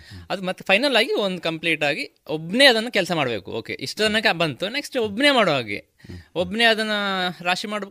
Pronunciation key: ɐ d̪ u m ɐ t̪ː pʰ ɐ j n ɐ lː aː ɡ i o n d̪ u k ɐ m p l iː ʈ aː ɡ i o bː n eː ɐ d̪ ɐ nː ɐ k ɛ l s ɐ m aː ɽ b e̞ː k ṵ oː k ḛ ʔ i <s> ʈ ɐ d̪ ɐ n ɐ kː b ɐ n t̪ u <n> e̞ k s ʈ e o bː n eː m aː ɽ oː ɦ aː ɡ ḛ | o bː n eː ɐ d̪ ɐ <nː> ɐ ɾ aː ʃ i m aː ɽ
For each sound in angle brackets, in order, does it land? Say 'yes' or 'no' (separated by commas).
no, yes, yes